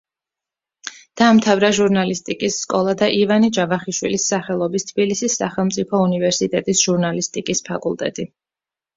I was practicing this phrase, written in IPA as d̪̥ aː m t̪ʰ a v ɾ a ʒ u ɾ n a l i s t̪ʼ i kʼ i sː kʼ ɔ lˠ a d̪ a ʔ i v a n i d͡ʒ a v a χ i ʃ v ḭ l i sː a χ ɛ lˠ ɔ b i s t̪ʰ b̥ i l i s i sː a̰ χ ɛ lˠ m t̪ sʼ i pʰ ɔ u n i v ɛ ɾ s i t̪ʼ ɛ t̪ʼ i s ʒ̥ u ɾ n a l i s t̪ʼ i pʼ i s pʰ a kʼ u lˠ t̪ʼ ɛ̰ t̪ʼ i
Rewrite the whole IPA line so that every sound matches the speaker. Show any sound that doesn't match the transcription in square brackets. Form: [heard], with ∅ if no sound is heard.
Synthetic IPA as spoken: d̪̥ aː m t̪ʰ a v ɾ a ʒ u ɾ n a l i s t̪ʼ i kʼ i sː kʼ ɔ lˠ a d̪ a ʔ i v a n i d͡ʒ a v a χ i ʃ [w] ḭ l i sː a χ ɛ lˠ ɔ b i s t̪ʰ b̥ i l i s i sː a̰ χ ɛ lˠ m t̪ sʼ i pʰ ɔ u n i v ɛ ɾ s i t̪ʼ ɛ t̪ʼ i s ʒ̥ u ɾ n a l i s t̪ʼ i [kʼ] i s pʰ a kʼ u lˠ t̪ʼ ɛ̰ t̪ʼ i

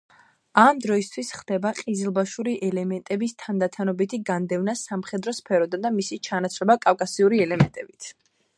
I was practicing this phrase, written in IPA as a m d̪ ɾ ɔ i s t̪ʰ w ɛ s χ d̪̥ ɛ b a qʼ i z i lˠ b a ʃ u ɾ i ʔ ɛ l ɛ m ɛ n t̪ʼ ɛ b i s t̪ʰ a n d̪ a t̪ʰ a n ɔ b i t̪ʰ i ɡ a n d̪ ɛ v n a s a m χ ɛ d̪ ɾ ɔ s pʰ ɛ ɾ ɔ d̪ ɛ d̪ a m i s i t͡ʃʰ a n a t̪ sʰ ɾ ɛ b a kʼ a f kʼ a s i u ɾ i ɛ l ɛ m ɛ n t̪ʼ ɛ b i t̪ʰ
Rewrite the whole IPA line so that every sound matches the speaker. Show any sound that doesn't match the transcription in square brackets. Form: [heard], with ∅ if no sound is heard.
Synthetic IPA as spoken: a m d̪ ɾ ɔ i s t̪ʰ w [i] s χ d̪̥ ɛ b a qʼ i z i lˠ b a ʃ u ɾ i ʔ ɛ l ɛ m ɛ n t̪ʼ ɛ b i s t̪ʰ a n d̪ a t̪ʰ a n ɔ b i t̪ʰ i ɡ a n d̪ ɛ v n a s a m χ ɛ d̪ ɾ ɔ s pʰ ɛ ɾ ɔ d̪ [a] d̪ a m i s i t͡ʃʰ a n a t̪ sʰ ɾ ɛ b a kʼ a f kʼ a s i u ɾ i ɛ l ɛ m ɛ n t̪ʼ ɛ b i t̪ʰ

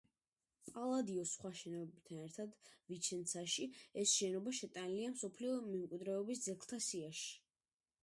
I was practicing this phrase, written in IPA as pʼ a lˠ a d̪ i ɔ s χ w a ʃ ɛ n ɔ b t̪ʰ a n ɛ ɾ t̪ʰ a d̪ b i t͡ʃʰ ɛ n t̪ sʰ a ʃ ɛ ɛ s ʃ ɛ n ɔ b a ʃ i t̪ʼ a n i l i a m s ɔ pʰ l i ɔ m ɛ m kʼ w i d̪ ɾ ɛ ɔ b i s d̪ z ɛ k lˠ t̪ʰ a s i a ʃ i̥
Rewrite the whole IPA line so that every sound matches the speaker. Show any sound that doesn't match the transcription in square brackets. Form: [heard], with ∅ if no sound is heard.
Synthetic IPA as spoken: pʼ a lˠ a d̪ i ɔ s χ w a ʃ ɛ n ɔ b t̪ʰ a n ɛ ɾ t̪ʰ a d̪ [v] i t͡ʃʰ ɛ n t̪ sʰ a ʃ [i] ɛ s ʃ ɛ n ɔ b a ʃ [ɛ] t̪ʼ a n i l i a m s ɔ pʰ l i ɔ m ɛ m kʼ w i d̪ ɾ ɛ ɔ b i s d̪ z ɛ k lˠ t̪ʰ a s i a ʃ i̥

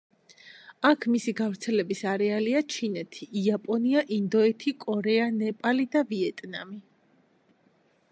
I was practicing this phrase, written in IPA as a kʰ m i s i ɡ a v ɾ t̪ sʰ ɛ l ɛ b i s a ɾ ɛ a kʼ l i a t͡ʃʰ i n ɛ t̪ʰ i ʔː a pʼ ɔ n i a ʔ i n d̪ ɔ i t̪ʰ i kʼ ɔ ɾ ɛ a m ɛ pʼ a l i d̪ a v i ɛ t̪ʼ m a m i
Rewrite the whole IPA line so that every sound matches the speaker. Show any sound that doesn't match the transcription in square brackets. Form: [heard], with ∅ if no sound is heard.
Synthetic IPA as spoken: a kʰ m i s i ɡ a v ɾ t̪ sʰ ɛ l ɛ b i s a ɾ ɛ a [∅] l i a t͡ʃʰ i n ɛ t̪ʰ i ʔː a pʼ ɔ n i a ʔ i n d̪ ɔ [ɛ] t̪ʰ i kʼ ɔ ɾ ɛ a [n] ɛ pʼ a l i d̪ a v i ɛ t̪ʼ [n] a m i

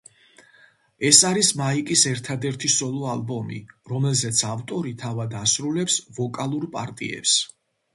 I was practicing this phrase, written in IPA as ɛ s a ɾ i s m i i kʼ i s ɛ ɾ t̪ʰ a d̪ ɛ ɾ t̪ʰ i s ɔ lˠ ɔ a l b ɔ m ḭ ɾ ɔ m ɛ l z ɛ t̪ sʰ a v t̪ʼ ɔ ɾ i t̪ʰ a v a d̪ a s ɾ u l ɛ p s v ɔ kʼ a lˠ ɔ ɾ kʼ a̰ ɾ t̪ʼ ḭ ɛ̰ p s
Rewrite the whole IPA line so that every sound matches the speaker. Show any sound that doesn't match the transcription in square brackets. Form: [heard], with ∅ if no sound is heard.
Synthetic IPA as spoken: ɛ s a ɾ i s m [a] i kʼ i s ɛ ɾ t̪ʰ a d̪ ɛ ɾ t̪ʰ i s ɔ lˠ ɔ a l b ɔ m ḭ ɾ ɔ m ɛ l z ɛ t̪ sʰ a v t̪ʼ ɔ ɾ i t̪ʰ a v a d̪ a s ɾ u l ɛ p s v ɔ kʼ a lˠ [u] ɾ [pʼ] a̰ ɾ t̪ʼ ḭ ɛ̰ p s

